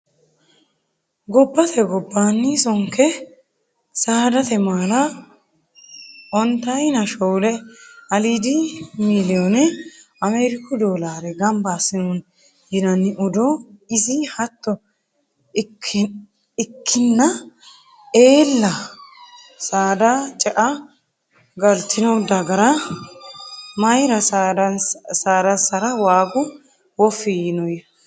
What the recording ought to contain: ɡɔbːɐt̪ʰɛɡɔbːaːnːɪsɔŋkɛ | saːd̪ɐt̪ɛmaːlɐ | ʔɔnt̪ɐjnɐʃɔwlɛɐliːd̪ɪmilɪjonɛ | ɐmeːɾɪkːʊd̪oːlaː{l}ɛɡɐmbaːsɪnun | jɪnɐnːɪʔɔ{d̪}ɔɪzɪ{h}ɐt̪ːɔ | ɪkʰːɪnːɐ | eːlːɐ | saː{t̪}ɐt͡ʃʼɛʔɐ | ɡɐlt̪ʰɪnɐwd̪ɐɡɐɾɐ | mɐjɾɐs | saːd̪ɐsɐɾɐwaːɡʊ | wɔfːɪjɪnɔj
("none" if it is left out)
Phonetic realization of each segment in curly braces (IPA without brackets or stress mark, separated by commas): ɾ, d̪, h, d̪